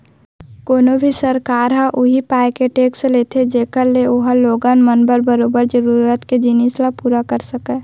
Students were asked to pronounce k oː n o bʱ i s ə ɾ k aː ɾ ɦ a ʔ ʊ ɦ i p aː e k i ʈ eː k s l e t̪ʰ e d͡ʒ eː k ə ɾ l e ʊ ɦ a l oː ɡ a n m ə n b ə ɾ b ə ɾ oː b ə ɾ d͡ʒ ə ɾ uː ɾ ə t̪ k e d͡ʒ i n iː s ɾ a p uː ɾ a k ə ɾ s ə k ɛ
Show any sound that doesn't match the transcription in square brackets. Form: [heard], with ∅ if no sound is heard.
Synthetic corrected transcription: k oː n o bʱ i s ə ɾ k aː ɾ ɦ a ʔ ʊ ɦ i p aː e k [e] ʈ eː k s l e t̪ʰ e d͡ʒ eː k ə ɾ l e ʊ ɦ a l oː ɡ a n m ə n b ə ɾ b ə ɾ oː b ə ɾ d͡ʒ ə ɾ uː ɾ ə t̪ k e d͡ʒ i n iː s [l] a p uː ɾ a k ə ɾ s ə k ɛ